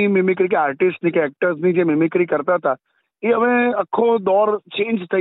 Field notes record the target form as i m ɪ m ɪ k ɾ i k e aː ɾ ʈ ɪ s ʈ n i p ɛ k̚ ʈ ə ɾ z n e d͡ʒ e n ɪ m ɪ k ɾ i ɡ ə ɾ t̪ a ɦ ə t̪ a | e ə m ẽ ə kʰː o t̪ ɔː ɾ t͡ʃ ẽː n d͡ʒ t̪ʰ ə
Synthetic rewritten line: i m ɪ m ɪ k ɾ i k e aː ɾ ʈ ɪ s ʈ n i k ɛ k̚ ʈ ə ɾ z n i d͡ʒ e m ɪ m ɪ k ɾ i k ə ɾ t̪ a ɦ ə t̪ a | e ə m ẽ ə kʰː o d̪ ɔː ɾ t͡ʃ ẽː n d͡ʒ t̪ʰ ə